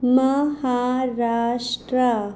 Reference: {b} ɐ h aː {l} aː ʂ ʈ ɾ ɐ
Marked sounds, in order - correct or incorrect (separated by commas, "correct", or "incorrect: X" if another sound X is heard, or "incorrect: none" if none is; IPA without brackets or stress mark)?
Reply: incorrect: m, incorrect: ɾ